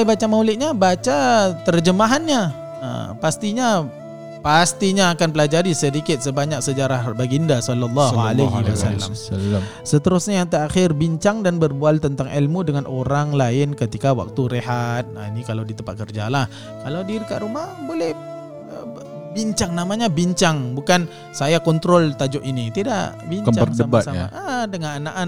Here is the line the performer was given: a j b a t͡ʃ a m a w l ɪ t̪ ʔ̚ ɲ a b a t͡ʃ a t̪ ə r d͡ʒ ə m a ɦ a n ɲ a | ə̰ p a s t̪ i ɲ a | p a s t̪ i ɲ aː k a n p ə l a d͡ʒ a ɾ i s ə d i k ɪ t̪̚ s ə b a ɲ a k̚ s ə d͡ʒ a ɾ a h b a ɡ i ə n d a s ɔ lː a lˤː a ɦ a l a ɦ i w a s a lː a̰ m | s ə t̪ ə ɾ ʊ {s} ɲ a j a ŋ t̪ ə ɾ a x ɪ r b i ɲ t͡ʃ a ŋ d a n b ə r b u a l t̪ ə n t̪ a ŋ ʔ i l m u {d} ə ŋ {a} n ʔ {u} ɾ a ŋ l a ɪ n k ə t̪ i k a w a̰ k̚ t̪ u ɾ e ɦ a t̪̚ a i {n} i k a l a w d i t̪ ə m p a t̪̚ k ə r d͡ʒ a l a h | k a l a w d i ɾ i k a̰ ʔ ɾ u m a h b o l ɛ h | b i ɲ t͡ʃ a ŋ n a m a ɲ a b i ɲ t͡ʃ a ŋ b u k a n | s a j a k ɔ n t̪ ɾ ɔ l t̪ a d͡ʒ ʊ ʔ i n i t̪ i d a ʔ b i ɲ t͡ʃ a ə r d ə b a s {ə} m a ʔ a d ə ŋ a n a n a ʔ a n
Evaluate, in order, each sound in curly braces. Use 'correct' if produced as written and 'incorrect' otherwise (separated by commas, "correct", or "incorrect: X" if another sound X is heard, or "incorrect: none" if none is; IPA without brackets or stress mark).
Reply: correct, correct, correct, incorrect: o, correct, incorrect: a